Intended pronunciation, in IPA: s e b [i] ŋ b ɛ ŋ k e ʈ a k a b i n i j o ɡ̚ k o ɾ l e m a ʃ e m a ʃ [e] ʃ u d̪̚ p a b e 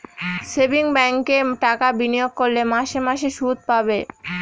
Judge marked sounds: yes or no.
yes, yes

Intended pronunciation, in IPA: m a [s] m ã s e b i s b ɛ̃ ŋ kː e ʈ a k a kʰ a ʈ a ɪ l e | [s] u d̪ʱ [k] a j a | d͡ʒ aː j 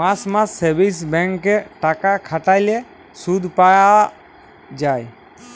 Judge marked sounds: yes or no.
yes, yes, no

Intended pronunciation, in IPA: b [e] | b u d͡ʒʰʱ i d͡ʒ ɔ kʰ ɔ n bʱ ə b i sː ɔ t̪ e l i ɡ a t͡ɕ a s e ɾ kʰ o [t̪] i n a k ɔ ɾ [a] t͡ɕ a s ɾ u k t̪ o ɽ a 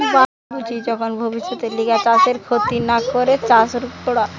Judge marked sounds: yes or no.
no, yes, no

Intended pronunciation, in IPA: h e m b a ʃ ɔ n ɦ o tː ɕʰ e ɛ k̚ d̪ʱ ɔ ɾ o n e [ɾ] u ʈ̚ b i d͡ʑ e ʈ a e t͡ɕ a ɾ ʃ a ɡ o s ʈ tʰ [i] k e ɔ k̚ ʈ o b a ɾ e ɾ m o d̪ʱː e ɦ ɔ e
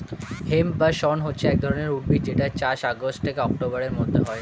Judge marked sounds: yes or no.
yes, no

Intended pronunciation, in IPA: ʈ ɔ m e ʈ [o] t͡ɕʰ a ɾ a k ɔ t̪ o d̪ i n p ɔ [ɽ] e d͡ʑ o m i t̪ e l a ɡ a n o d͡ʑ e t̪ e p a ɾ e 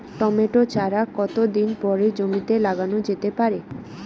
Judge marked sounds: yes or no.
yes, no

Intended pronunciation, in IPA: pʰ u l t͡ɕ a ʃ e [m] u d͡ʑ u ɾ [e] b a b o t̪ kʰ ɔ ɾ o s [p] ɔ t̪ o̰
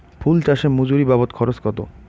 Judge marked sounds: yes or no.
yes, no, no

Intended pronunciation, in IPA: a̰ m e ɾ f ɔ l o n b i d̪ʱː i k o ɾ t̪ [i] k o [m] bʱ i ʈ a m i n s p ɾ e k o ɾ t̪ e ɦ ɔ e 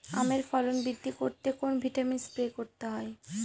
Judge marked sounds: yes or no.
no, no

